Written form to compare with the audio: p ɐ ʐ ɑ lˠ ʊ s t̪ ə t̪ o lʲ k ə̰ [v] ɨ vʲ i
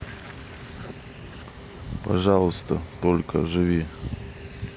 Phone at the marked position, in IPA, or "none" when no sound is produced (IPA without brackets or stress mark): ʐ